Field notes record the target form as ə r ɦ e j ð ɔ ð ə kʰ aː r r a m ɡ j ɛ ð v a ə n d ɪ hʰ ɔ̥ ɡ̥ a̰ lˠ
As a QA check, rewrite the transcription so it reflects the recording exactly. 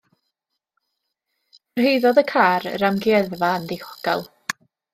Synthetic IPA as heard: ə r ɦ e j ð ɔ ð ə kʰ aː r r a m ɡ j ɛ ð v a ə n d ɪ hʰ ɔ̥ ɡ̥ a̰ lˠ